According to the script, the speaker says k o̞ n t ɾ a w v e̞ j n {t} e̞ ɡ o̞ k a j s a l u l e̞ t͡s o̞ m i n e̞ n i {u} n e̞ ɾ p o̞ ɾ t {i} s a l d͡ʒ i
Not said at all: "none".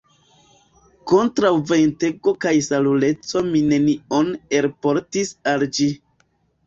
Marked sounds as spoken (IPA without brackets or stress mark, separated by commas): t, o, i